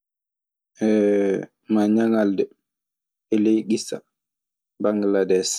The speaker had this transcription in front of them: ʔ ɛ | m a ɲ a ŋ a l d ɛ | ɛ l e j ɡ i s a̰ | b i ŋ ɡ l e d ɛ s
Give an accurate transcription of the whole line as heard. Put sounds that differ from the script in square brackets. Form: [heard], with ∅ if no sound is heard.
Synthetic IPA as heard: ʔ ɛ | m a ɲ a ŋ a l d ɛ | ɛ l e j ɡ i s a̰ | b [a] ŋ ɡ l [a] d ɛ s